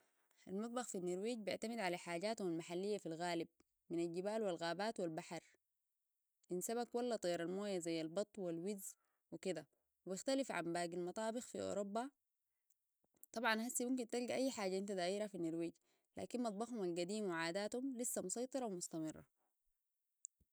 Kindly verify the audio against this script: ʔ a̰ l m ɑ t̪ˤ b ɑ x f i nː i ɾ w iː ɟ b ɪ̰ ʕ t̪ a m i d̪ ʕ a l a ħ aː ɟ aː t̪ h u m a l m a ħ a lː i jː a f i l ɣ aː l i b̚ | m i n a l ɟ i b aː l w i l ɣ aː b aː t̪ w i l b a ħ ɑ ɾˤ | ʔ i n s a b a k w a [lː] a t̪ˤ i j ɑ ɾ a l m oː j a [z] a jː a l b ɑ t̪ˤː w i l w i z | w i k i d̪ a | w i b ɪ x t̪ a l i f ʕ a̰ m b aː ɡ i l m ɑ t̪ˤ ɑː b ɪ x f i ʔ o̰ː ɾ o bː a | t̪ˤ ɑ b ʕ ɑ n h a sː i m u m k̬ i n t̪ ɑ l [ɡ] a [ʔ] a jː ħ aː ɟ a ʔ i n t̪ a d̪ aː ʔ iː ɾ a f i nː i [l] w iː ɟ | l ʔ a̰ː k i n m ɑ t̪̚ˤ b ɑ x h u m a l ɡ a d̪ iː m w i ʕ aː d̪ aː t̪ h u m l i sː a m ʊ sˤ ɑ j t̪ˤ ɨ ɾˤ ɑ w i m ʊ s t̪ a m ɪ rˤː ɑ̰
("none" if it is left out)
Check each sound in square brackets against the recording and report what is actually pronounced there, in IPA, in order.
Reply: lː, z, ɡ, ʔ, ɾ

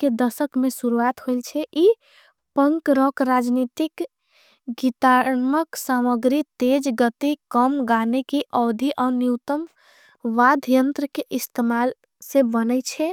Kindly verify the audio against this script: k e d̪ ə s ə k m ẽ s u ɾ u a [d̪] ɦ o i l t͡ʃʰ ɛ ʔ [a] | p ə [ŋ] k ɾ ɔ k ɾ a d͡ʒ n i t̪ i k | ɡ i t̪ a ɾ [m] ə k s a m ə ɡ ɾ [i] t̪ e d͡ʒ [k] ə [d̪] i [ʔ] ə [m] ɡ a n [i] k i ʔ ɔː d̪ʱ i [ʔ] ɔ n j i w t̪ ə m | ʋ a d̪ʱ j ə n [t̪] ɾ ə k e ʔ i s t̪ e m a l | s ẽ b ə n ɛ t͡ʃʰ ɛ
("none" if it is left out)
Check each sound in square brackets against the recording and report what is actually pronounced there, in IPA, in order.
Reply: t̪, i, ŋ, m, i, ɡ, t̪, k, m, e, ʔ, t̪

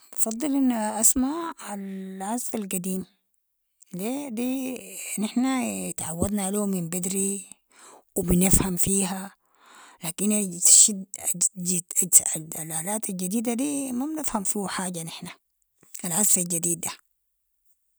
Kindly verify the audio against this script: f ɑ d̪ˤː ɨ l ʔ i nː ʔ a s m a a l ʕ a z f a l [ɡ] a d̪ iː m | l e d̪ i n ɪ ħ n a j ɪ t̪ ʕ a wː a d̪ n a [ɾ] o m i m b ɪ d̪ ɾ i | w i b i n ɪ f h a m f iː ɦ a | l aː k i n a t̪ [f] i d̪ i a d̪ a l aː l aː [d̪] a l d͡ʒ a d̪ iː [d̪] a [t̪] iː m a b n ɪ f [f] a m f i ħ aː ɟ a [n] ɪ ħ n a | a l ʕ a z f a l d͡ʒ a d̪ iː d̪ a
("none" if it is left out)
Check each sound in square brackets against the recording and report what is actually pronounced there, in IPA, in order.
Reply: ɡ, l, ʃ, t̪, d̪, d̪, h, n

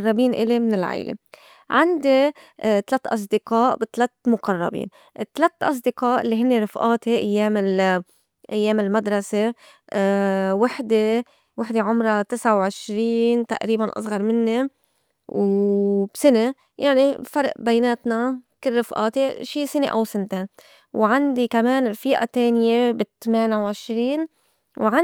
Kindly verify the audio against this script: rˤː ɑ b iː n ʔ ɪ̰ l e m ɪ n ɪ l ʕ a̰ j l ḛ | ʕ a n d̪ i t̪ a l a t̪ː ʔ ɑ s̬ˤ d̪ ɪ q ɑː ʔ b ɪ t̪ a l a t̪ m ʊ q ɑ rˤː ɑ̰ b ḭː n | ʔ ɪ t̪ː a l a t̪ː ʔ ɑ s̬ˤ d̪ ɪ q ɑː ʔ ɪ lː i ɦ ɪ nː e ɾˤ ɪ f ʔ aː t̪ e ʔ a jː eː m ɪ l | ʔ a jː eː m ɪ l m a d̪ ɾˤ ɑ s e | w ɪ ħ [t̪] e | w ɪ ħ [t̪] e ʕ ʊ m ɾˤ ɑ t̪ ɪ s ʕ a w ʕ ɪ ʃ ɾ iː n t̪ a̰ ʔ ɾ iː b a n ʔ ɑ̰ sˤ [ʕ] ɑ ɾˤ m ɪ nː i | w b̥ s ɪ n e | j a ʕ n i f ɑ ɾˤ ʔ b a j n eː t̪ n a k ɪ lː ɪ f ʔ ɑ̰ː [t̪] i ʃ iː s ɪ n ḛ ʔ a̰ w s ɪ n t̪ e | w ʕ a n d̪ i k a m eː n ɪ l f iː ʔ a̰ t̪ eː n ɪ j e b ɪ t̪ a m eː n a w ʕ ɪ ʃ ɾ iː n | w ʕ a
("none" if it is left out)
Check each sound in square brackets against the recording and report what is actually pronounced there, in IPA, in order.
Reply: d̪, d̪, ɣ, t̪

